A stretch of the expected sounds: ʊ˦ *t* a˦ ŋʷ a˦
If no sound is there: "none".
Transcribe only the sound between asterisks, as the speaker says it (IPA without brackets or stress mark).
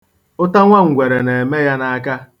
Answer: t